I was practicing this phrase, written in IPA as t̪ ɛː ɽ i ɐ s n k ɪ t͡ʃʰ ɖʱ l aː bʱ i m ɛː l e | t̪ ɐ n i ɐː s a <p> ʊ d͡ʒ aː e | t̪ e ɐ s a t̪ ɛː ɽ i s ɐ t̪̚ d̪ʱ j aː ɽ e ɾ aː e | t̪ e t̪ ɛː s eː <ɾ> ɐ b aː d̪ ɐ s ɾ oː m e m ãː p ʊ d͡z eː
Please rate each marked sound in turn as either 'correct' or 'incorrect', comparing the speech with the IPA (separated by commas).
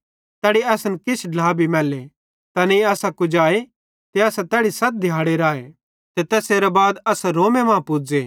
incorrect, correct